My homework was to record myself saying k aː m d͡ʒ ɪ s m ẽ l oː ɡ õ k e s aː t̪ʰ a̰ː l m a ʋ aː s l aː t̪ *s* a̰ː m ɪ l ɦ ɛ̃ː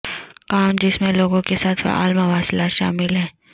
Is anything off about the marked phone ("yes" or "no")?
yes